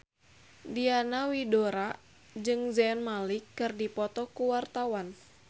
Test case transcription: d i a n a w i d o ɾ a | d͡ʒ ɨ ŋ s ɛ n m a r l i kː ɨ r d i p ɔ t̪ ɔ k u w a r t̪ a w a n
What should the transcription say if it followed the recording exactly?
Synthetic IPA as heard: d i a n a w i d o ɾ a | d͡ʒ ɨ ŋ z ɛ n m a l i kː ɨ r d i p ɔ t̪ ɔ k u w a r t̪ a w a n